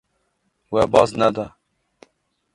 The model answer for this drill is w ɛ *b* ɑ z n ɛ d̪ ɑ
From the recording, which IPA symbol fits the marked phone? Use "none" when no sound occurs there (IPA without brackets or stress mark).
b